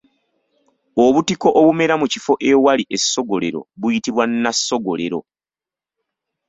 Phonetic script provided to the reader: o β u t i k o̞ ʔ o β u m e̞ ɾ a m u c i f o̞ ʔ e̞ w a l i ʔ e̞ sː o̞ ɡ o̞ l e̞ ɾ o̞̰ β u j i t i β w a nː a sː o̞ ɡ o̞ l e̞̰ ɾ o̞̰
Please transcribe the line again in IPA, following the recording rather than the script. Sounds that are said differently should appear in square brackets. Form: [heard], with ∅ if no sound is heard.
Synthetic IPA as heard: o β u t i k o̞ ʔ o β u m e̞ ɾ a m u c i f o̞ ʔ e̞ w a l i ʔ e̞ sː o̞ ɡ o̞ l e̞ ɾ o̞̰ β u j i t i β w a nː a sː o̞ ɡ o̞ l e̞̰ ɾ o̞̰